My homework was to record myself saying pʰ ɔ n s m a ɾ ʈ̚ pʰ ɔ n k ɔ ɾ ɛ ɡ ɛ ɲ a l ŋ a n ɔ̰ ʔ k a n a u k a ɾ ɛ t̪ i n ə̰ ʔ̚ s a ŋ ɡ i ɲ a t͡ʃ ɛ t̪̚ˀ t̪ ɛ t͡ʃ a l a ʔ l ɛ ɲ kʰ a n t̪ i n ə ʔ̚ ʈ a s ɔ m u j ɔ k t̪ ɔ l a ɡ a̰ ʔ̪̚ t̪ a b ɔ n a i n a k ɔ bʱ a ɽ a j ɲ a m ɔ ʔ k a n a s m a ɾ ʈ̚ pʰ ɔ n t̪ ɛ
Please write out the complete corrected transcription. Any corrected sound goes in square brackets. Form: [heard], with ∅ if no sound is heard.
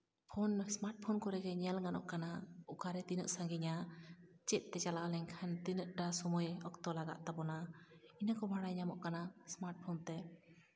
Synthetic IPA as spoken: pʰ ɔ n s m a ɾ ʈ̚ pʰ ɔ n k ɔ ɾ ɛ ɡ ɛ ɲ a l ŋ a n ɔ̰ ʔ k a n a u k a ɾ ɛ t̪ i n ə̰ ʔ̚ s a ŋ ɡ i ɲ a t͡ʃ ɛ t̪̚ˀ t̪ ɛ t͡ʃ a l a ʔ l ɛ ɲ kʰ a n t̪ i n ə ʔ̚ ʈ a s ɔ m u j ɔ k t̪ ɔ l a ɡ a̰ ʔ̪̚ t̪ a b ɔ n a i n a k ɔ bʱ a ɽ a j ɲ a m ɔ ʔ k a n a s m a ɾ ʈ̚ pʰ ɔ n t̪ ɛ